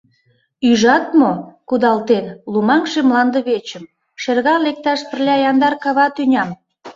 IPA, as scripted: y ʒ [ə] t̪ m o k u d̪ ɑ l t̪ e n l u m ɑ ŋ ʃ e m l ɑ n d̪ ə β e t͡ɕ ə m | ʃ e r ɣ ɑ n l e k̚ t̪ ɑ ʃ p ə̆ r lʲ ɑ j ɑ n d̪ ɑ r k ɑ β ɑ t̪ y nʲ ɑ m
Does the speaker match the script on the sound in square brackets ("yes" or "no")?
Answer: no